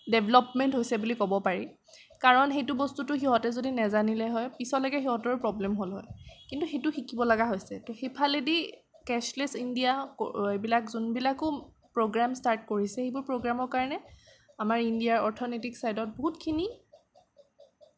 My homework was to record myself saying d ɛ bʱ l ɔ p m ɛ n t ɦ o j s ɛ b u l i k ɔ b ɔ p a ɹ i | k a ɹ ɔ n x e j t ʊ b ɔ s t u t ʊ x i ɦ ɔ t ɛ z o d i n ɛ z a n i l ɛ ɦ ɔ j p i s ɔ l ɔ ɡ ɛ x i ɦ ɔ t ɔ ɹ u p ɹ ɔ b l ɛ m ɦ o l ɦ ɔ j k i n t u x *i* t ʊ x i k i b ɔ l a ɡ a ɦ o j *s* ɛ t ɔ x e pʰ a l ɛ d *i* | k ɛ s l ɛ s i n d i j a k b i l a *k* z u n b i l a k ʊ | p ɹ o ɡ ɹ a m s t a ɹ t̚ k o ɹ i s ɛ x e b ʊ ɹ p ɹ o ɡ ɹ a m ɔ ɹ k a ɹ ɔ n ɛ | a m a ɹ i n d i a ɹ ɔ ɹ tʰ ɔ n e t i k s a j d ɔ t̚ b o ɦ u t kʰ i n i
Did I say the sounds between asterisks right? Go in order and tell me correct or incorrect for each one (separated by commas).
incorrect, correct, correct, correct